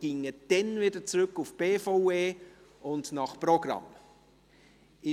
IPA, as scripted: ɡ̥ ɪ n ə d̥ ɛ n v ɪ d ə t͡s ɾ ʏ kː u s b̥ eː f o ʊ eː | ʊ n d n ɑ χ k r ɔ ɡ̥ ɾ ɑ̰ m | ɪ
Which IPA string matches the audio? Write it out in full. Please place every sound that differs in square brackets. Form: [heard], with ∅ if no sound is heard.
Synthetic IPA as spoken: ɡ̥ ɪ [ŋ] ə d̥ ɛ n v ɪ d ə t͡s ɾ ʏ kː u [f] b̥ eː f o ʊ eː | ʊ n d n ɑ χ [p] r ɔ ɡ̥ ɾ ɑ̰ m | ɪ